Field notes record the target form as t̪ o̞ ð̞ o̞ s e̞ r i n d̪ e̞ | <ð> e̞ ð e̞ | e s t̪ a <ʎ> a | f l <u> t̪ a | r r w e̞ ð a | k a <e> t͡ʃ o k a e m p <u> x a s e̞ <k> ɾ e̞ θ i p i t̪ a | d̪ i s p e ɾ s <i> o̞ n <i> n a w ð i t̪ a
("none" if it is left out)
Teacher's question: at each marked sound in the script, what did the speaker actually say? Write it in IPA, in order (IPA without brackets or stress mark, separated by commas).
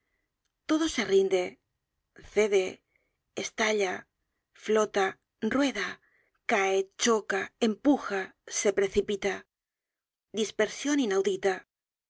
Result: θ, ʎ, o, e, u, p, j, i